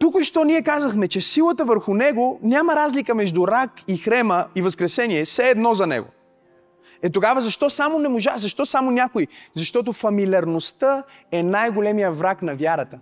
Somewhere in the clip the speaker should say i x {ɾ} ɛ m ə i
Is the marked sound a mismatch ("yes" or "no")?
no